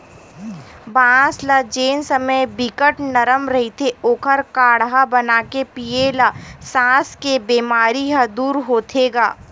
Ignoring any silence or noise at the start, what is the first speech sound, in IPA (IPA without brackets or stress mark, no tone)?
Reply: b